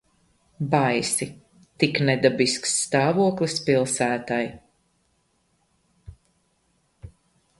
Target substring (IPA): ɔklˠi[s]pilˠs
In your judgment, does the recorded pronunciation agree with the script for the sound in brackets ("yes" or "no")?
yes